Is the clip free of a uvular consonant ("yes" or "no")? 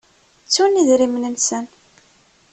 yes